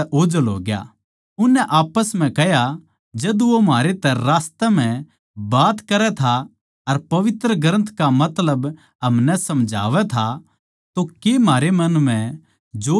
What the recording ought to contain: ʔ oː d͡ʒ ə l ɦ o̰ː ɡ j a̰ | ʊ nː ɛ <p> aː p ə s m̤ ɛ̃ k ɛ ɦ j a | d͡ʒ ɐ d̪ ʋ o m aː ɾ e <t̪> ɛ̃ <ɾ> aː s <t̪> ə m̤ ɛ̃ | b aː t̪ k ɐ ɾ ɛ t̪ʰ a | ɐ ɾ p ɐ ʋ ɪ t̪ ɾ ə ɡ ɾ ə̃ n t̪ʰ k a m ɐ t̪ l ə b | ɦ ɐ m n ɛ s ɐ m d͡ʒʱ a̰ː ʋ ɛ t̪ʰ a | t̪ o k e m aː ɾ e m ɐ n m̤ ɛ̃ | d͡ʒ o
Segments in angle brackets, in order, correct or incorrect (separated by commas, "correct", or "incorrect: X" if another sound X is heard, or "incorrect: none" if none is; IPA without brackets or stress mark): incorrect: ʔ, correct, correct, correct